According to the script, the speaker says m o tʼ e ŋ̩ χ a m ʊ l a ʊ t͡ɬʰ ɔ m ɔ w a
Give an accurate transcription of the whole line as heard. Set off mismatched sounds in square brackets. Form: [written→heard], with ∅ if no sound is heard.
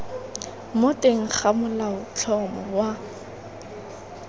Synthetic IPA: m o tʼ e ŋ̩ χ a m ʊ l a ʊ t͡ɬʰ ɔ m ɔ w a